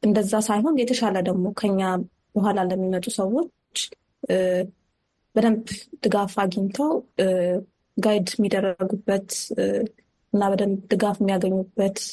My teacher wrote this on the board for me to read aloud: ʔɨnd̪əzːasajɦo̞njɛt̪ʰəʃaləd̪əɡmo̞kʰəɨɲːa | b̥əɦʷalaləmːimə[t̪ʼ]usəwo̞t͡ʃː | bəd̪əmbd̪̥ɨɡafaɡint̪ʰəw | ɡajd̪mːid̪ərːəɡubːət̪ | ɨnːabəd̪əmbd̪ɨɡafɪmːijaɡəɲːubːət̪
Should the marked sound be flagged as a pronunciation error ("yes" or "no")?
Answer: no